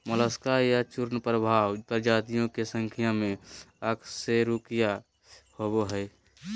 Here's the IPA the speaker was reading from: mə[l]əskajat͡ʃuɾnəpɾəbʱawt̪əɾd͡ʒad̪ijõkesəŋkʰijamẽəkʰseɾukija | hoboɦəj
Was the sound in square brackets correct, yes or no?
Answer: yes